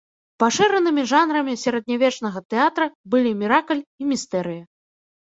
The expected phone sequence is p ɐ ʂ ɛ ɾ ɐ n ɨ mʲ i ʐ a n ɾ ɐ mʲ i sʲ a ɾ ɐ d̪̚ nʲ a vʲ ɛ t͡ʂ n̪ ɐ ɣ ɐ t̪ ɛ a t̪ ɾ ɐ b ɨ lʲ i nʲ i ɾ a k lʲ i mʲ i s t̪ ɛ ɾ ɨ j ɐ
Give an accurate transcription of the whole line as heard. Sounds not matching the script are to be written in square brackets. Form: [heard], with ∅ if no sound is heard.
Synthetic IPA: p [a] ʂ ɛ ɾ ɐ n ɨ mʲ i ʐ a n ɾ ɐ mʲ i sʲ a ɾ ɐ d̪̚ nʲ a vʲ ɛ t͡ʂ n̪ ɐ ɣ ɐ t̪ ɛ a t̪ ɾ ɐ b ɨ lʲ i [mʲ] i ɾ a k lʲ i mʲ i s t̪ ɛ ɾ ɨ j ɐ